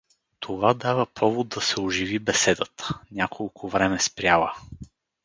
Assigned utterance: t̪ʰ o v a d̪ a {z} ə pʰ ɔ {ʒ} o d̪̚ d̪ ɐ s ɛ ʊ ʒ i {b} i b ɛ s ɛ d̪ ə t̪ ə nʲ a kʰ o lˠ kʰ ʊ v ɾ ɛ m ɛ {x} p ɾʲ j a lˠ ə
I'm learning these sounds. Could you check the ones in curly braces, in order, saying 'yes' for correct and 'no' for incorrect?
no, no, no, no

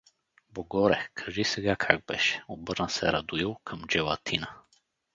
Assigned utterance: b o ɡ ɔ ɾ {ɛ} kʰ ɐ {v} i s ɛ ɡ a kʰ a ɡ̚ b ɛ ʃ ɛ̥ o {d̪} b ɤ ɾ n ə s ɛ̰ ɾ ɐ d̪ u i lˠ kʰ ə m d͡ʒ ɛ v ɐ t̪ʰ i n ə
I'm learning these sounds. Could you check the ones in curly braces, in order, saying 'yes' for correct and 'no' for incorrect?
yes, no, no

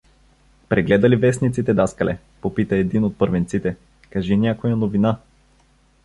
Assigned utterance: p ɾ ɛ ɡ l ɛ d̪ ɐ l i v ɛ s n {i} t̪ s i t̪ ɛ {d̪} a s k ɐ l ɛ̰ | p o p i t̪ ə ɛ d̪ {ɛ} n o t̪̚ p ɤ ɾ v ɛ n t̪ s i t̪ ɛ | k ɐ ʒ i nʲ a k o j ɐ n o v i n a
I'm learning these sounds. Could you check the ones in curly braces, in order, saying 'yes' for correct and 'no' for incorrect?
yes, yes, no

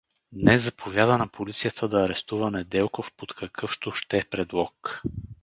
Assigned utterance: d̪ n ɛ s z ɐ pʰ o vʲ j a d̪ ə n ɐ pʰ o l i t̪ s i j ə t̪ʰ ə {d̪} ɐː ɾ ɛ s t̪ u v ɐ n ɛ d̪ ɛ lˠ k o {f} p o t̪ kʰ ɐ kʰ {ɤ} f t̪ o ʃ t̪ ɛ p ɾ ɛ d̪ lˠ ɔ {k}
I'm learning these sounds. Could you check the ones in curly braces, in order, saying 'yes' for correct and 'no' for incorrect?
yes, yes, yes, yes

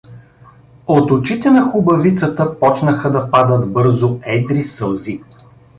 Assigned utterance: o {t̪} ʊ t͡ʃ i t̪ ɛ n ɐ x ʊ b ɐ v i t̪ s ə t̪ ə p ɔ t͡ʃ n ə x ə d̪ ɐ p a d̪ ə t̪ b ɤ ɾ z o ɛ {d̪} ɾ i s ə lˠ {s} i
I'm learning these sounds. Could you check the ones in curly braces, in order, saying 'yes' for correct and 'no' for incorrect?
yes, yes, no

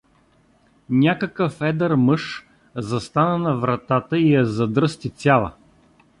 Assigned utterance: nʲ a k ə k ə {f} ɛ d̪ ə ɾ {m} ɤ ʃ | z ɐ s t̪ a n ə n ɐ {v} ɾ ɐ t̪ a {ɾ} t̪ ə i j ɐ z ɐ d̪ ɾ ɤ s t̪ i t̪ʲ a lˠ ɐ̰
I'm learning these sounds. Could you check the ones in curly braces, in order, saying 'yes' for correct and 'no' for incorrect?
yes, yes, yes, no

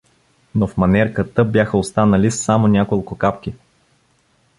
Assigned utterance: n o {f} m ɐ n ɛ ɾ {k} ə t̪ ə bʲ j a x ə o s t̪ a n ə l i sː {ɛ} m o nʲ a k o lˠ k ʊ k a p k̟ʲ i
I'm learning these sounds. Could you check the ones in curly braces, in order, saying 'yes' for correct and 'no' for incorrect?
yes, yes, no

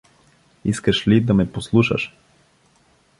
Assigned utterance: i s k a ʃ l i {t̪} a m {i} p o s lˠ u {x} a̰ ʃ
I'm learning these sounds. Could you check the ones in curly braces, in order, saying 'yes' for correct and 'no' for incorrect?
no, no, no

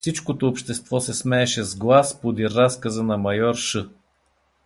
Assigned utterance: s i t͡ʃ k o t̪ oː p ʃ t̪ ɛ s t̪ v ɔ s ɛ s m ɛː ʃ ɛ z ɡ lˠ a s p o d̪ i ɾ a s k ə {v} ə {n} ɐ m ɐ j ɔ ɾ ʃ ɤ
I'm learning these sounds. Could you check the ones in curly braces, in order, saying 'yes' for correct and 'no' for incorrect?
no, yes

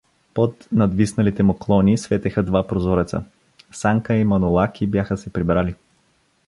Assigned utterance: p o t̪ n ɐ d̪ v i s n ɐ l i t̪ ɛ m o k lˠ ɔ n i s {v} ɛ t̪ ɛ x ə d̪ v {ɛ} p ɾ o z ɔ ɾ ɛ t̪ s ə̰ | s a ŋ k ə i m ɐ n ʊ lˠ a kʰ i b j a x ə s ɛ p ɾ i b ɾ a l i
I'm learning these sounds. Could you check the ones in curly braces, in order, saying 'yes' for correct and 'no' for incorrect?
yes, no

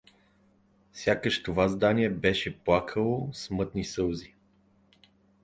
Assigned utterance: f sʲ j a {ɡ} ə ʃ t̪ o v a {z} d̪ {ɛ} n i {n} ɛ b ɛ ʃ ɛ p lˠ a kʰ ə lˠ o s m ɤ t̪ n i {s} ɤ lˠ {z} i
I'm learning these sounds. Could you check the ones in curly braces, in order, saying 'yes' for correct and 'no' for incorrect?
no, yes, no, no, yes, yes

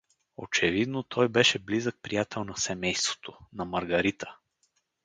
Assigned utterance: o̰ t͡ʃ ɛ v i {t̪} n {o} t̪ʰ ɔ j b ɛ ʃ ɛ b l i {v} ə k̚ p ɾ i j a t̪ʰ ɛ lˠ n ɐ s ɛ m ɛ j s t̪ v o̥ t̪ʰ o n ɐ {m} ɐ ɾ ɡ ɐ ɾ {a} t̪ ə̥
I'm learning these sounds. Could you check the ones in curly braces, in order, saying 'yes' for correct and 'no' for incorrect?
no, yes, no, yes, no

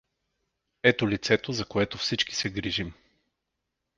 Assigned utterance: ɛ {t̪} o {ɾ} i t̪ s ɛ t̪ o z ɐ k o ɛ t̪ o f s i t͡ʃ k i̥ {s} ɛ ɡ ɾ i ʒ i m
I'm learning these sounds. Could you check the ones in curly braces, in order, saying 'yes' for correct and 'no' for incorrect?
yes, no, yes

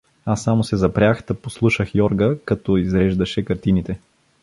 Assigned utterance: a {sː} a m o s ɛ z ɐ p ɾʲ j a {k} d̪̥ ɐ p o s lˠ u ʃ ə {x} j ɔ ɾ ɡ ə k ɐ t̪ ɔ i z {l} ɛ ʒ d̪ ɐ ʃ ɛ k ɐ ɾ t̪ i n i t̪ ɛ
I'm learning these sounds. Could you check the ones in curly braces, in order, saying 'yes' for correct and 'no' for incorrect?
yes, no, yes, no

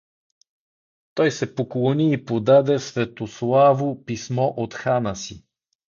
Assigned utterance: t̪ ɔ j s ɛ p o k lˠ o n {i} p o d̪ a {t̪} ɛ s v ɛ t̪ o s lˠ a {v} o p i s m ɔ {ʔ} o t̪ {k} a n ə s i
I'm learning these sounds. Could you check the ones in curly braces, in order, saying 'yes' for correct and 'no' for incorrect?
no, no, yes, yes, no

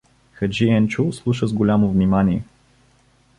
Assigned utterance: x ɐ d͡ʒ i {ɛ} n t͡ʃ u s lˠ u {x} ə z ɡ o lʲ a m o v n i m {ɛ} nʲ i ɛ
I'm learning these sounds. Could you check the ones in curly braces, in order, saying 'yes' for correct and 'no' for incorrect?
yes, no, no

